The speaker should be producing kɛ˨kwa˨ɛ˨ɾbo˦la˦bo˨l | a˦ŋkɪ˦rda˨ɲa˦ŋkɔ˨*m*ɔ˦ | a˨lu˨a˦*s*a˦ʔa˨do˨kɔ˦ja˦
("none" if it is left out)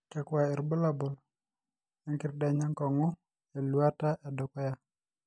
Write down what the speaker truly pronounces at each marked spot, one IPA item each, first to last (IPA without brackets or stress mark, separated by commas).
ŋ, t